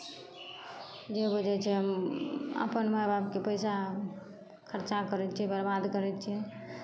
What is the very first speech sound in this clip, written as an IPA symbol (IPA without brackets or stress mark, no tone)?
d͡ʒ